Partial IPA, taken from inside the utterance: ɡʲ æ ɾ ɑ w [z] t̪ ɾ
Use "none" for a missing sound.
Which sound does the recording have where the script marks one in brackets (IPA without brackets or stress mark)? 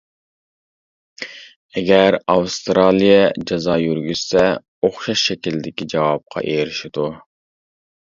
s